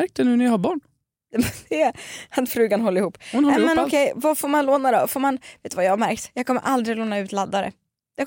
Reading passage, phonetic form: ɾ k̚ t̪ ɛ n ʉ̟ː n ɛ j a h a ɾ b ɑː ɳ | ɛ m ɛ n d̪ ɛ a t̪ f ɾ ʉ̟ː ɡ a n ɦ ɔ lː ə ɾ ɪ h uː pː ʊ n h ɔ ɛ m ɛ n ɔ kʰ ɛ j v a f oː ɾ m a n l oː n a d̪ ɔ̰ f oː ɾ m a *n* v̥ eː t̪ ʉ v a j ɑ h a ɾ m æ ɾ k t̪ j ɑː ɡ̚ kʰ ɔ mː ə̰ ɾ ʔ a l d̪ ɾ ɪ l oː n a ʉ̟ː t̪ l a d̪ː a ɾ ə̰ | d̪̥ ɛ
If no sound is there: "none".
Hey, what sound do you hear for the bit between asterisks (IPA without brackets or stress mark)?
n